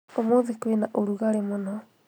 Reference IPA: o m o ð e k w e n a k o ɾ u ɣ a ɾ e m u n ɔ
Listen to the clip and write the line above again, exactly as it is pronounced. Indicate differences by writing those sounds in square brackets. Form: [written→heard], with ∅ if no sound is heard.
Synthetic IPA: o m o ð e k w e n a [k→ʔ] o ɾ u ɣ a ɾ e m [u→o] n ɔ